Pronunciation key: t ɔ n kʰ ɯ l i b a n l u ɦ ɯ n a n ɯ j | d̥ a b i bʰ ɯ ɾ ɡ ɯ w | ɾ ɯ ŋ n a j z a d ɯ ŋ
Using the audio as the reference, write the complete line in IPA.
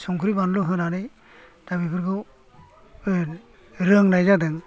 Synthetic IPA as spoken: s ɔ ŋ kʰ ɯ ɾ i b a n l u ɦ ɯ n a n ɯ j | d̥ a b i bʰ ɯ ɾ ɡ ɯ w | ɾ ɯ ŋ n a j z a d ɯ ŋ